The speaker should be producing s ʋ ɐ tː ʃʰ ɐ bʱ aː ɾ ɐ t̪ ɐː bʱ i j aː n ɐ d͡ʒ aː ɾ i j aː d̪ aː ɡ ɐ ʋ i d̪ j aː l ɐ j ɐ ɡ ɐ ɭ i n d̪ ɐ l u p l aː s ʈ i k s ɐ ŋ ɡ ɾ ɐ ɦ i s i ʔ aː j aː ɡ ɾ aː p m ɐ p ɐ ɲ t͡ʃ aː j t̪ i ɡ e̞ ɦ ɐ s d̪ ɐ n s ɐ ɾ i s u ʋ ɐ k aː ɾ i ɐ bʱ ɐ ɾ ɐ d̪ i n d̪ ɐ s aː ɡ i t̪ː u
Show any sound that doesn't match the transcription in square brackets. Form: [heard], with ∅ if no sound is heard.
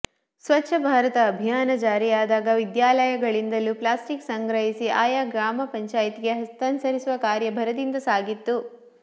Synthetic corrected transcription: s ʋ ɐ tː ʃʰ ɐ bʱ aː ɾ ɐ t̪ ɐː bʱ i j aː n ɐ d͡ʒ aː ɾ i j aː d̪ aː ɡ ɐ ʋ i d̪ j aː l ɐ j ɐ ɡ ɐ ɭ i n d̪ ɐ l u p l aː s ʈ i k s ɐ ŋ ɡ ɾ ɐ ɦ i s i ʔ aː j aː ɡ ɾ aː [∅] m ɐ p ɐ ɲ t͡ʃ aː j t̪ i ɡ e̞ ɦ ɐ s [t̪] ɐ n s ɐ ɾ i s u ʋ ɐ k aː ɾ [j] ɐ bʱ ɐ ɾ ɐ d̪ i n d̪ ɐ s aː ɡ i t̪ː u